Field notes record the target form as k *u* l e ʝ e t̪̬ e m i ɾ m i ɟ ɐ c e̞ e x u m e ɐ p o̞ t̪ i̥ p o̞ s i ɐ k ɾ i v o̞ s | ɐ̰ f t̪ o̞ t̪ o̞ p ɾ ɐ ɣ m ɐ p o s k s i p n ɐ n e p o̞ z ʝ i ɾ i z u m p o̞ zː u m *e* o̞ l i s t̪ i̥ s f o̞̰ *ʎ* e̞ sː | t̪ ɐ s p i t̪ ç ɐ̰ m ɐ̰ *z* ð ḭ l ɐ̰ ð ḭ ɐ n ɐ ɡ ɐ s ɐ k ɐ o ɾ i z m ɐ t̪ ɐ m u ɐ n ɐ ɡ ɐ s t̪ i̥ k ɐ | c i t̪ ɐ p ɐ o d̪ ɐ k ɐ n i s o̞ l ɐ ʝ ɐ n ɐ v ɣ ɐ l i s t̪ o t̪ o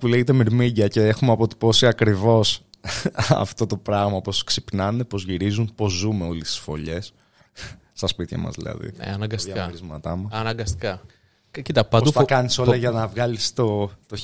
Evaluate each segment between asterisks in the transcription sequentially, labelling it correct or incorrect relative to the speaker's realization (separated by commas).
correct, correct, correct, correct